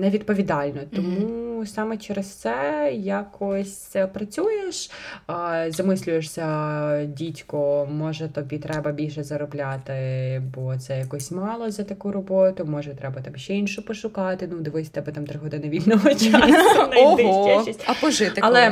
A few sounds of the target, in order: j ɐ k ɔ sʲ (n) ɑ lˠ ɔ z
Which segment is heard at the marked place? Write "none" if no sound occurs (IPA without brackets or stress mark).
m